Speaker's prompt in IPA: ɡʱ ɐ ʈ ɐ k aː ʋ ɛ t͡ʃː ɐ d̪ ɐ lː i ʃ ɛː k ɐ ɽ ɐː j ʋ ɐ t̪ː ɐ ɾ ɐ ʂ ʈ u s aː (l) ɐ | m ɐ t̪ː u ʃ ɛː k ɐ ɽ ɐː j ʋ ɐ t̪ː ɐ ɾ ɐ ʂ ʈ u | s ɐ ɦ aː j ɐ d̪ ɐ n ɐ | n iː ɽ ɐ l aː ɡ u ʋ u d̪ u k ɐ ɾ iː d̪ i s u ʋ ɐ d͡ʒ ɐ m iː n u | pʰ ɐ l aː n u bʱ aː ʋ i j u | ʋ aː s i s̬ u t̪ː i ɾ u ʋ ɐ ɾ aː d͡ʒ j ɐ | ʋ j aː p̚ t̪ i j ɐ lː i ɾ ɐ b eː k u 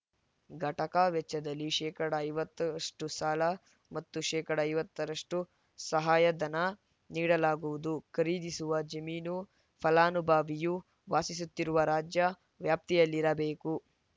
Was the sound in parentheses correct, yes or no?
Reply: yes